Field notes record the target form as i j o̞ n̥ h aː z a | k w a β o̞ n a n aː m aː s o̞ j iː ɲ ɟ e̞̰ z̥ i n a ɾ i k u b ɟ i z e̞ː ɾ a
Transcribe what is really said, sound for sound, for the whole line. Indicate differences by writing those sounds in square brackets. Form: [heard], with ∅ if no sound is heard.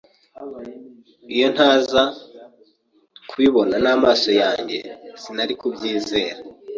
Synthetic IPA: i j o̞ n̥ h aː z a | k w [i] β o̞ n a n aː m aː s o̞ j [aː] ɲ ɟ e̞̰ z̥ i n a ɾ i k u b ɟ [iː] z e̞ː ɾ a